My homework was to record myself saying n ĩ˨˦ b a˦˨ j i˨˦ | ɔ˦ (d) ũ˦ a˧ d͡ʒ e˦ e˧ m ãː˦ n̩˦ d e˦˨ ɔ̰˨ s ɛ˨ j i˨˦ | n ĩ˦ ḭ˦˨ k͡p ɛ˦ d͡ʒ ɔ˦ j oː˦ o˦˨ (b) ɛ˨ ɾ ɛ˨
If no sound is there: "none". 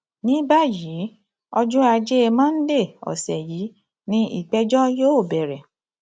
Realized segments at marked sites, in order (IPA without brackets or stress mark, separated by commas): d͡ʒ, b